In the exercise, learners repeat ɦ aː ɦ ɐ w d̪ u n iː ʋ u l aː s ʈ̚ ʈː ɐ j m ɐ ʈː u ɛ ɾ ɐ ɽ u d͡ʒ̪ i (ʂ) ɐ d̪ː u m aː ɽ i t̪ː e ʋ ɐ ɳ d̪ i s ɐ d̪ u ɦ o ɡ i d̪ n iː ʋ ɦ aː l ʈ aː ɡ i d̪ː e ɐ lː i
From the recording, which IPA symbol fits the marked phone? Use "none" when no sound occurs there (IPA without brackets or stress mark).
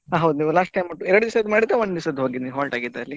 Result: s